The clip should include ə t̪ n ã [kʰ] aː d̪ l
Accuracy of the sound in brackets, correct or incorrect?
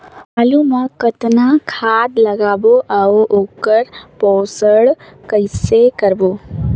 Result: correct